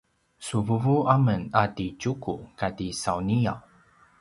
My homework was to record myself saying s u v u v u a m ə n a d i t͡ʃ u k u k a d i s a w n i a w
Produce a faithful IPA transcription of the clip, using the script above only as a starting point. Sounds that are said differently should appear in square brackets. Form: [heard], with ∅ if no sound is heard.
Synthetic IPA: s u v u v u a m ə n a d i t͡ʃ u k u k a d i s a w n i a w

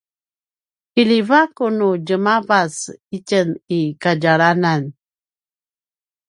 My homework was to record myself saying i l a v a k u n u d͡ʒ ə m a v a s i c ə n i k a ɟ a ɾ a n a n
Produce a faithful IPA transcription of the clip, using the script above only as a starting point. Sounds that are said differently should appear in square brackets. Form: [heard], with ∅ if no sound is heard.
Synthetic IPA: i l [i] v a k u n u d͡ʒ ə m a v a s i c ə n i k a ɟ a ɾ a n a n

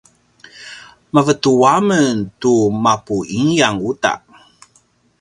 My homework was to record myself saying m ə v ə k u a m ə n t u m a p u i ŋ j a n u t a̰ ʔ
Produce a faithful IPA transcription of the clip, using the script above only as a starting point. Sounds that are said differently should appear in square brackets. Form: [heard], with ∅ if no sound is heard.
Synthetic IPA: m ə v ə [t] u a m ə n t u m a p u i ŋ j a [ŋ] u t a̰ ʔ

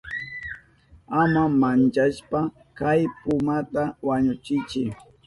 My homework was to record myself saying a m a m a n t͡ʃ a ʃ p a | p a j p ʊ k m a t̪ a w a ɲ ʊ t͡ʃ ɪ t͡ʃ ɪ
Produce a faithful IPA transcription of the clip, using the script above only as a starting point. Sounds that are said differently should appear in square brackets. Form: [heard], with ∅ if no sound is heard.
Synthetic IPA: a m a m a n t͡ʃ a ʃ p a | [k] a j p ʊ [∅] m a t̪ a w a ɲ ʊ t͡ʃ ɪ t͡ʃ ɪ

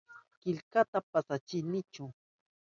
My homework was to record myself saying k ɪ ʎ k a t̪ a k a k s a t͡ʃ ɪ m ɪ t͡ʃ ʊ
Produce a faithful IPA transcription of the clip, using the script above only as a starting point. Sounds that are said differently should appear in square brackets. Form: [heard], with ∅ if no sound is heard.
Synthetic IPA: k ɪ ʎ k a t̪ a [p] a [∅] s a t͡ʃ ɪ [n] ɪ t͡ʃ ʊ

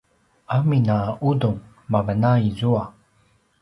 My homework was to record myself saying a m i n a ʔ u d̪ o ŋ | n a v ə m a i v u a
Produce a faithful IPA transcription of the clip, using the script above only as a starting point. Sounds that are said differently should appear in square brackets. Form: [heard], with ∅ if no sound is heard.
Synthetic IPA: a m i n a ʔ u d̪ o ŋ | [m] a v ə [n] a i [z] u a

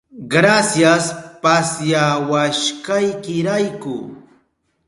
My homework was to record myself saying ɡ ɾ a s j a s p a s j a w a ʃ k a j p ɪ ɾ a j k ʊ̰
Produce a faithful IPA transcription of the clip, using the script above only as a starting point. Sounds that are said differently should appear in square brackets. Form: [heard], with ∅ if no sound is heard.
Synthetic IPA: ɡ ɾ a s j a s p a s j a w a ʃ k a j [k] ɪ ɾ a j k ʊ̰

